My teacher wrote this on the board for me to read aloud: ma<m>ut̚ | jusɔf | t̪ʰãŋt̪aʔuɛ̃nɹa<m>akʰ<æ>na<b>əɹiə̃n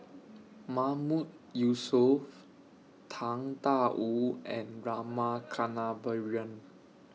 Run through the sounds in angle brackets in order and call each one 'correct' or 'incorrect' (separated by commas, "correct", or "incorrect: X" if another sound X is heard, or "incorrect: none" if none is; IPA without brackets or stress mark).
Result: correct, correct, incorrect: a, correct